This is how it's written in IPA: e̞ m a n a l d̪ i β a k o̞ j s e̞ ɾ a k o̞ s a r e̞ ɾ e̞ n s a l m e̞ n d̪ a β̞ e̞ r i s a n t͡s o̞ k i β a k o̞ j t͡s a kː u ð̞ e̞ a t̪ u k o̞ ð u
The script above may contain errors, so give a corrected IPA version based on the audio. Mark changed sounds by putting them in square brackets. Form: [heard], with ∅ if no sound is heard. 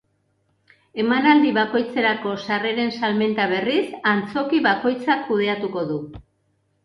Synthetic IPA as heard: e̞ m a n a l d̪ i β a k o̞ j [t͡s] e̞ ɾ a k o̞ s a r e̞ ɾ e̞ n s a l m e̞ n [t̪] a β̞ e̞ r i s a n t͡s o̞ k i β a k o̞ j t͡s a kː u ð̞ e̞ a t̪ u k o̞ ð u